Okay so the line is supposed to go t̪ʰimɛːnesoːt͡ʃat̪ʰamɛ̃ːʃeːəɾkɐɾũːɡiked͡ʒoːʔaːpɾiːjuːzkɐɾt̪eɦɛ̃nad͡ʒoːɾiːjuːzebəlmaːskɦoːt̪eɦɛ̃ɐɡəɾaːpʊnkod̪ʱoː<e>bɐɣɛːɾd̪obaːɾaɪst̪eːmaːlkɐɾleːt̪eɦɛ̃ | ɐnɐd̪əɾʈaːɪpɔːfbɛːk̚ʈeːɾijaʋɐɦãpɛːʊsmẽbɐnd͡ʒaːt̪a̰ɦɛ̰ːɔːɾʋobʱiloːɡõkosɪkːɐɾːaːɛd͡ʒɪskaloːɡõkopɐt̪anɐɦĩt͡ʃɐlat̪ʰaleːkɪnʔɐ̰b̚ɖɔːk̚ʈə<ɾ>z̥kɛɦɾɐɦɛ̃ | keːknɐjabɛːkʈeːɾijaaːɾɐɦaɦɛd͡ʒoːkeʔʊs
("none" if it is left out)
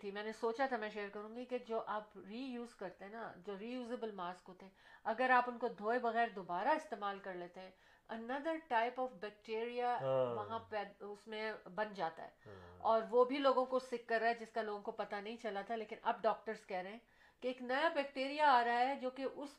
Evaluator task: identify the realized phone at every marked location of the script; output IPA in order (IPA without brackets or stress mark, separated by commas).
e, ɾ